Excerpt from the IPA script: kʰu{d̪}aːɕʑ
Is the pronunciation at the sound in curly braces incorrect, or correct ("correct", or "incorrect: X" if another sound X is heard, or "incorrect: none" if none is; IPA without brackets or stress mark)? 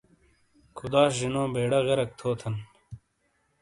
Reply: correct